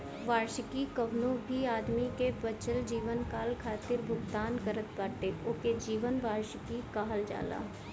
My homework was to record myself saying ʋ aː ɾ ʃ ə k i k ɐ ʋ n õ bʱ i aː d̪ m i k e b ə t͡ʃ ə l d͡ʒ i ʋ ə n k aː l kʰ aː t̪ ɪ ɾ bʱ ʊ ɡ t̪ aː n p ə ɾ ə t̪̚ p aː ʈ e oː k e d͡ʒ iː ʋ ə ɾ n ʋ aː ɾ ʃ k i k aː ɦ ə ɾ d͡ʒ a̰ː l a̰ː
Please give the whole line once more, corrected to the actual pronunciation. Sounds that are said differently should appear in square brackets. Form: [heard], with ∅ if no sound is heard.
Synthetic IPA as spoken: ʋ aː ɾ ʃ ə k i k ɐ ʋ n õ bʱ i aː d̪ m i k e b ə t͡ʃ ə l d͡ʒ [iː] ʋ ə n k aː l kʰ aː t̪ ɪ ɾ bʱ ʊ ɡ t̪ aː n [k] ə ɾ ə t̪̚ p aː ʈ e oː k e d͡ʒ iː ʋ ə [∅] n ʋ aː ɾ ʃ k i k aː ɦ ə [l] d͡ʒ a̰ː l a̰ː